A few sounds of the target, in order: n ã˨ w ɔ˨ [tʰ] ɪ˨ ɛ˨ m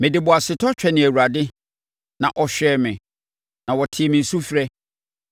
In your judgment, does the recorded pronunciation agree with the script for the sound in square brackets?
yes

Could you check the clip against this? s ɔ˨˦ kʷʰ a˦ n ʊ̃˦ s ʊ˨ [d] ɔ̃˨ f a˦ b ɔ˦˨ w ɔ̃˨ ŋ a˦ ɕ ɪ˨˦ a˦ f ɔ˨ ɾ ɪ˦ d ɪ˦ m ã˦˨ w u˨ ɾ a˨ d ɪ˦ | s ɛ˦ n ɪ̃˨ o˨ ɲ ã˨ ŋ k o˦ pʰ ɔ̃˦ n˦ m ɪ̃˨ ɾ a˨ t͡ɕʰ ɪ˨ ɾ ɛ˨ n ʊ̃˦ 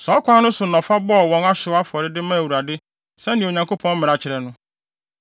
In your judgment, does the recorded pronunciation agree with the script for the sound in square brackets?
no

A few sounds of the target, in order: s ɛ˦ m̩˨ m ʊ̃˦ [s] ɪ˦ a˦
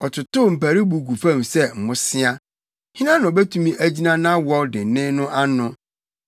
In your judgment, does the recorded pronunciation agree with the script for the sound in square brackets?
yes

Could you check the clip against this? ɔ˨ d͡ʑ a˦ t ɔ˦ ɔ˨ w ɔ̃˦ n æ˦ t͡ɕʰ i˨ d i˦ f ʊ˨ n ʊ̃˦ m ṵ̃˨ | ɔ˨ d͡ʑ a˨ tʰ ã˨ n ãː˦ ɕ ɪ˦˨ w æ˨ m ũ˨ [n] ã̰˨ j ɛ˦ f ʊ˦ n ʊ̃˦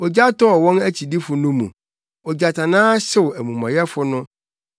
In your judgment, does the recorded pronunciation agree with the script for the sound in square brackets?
no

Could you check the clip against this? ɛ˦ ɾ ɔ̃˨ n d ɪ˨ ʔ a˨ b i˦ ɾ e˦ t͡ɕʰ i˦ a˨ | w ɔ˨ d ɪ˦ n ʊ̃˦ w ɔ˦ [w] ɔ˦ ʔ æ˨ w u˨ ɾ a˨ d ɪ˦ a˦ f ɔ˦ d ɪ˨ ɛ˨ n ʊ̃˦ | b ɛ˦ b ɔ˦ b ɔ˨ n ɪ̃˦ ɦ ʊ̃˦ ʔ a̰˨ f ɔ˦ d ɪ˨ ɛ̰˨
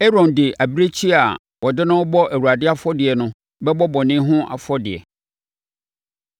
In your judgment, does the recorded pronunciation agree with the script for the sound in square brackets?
no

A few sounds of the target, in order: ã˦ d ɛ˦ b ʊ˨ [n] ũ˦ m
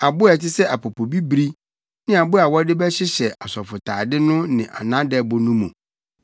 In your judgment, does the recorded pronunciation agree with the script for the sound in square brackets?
yes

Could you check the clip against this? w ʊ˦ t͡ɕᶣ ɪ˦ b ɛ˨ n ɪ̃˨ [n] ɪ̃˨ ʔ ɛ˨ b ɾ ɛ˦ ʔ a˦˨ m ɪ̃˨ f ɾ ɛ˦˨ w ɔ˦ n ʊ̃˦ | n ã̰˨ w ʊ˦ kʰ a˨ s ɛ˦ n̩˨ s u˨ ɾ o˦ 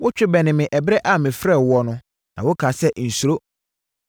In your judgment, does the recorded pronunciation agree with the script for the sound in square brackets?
no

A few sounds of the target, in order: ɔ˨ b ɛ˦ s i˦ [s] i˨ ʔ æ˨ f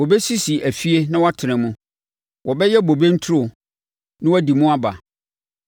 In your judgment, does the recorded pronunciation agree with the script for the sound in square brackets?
yes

